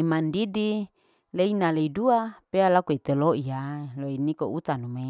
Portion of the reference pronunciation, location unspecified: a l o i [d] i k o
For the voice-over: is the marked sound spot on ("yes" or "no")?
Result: no